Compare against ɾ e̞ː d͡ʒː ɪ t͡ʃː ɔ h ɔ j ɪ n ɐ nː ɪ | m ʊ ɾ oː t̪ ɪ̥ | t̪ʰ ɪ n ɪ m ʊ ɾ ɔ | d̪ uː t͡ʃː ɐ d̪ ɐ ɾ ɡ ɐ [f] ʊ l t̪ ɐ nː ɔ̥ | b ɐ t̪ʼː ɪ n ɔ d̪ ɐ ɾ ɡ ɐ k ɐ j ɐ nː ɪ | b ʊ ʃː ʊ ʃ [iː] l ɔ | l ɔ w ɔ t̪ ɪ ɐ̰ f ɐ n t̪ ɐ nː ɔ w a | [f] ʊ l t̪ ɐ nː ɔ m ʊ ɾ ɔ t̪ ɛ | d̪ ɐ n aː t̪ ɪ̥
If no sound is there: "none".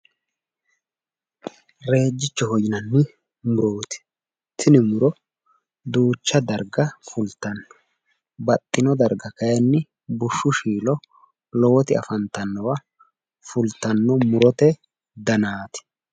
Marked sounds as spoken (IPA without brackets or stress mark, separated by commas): f, iː, f